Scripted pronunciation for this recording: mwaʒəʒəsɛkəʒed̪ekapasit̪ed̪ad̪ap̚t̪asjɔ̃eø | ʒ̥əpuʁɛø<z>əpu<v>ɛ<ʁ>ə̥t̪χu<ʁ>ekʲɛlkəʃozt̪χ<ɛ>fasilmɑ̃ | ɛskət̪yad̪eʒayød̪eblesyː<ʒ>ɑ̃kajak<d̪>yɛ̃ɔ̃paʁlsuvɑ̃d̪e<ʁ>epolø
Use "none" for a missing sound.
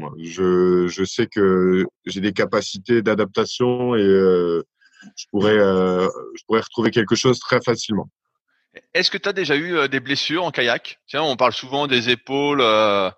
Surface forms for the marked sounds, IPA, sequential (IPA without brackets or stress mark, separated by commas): ʒ, ʁ, ʁ, v, ɛ, ʁ, t̪, z